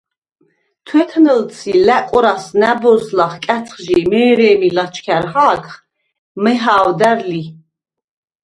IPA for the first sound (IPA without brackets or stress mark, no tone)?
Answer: t̪ʰ